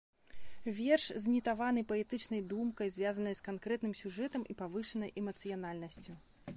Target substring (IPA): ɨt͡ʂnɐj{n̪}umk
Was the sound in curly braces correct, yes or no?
no